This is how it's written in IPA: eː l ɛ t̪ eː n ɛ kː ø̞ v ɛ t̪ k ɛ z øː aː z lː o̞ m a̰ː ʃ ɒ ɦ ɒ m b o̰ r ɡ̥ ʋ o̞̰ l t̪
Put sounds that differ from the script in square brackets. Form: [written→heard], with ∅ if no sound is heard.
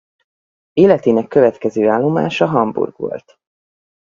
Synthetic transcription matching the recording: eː l ɛ t̪ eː n ɛ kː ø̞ v ɛ t̪ k ɛ z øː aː [z→∅] lː o̞ m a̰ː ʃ ɒ ɦ ɒ m b [o̰→ṵ] r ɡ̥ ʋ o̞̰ l t̪